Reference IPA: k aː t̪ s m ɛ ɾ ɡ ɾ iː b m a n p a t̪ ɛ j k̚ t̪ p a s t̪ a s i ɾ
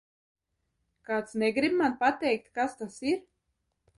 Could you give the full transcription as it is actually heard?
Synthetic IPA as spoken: k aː t̪ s n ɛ ɡ ɾ i b m a n p a t̪ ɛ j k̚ t̪ k a s t̪ a s i ɾ